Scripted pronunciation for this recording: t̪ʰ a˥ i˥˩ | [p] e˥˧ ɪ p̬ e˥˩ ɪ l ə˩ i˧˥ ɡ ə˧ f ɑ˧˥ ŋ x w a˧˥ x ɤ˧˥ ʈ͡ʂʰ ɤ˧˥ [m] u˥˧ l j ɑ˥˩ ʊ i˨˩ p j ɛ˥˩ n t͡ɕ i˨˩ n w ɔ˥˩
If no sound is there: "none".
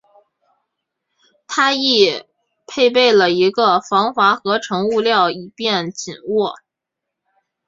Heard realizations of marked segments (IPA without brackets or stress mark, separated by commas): pʰ, ŋ